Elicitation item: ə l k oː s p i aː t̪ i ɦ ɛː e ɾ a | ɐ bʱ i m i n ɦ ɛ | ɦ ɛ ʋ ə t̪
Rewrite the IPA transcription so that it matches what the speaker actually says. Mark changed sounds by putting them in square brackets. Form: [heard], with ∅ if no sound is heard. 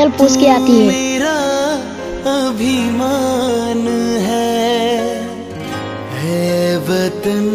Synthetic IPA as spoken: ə l [p] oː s [k] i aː t̪ i ɦ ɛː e ɾ a | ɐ bʱ i m [a] n ɦ ɛ | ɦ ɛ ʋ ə t̪